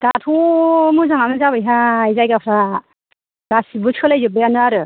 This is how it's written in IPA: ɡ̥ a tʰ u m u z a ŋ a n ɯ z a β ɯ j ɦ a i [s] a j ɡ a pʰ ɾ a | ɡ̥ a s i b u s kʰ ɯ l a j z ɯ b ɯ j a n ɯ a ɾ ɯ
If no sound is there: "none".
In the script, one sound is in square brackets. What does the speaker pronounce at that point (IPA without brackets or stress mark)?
z